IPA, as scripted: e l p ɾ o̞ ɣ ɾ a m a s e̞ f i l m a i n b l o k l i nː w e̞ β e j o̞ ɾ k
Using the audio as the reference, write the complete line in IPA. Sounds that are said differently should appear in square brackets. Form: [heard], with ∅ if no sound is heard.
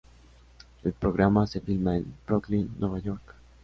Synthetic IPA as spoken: e l p ɾ o̞ ɣ ɾ a m a s e̞ f i l m a [e] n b [ɾ] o k l i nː w e̞ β [a] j o̞ ɾ k